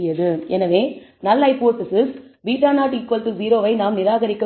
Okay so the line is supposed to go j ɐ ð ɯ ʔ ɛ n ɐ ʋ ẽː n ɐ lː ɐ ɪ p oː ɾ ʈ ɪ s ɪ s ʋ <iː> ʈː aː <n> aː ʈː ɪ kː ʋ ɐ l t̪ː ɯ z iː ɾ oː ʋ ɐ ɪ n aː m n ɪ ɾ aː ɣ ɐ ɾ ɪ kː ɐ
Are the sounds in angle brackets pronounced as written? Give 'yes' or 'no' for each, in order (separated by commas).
yes, yes